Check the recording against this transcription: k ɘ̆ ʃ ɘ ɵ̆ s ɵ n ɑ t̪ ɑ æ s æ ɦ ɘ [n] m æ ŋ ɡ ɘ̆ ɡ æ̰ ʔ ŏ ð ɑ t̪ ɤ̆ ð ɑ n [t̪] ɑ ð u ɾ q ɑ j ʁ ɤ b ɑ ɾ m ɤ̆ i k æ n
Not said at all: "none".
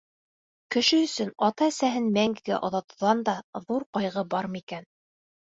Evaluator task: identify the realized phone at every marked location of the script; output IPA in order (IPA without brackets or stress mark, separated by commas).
n, d̪